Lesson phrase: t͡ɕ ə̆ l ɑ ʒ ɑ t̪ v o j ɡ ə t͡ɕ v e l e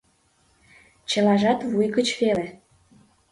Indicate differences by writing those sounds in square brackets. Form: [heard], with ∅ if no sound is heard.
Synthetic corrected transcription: t͡ɕ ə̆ l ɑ ʒ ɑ t̪ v [u] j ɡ ə t͡ɕ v e l e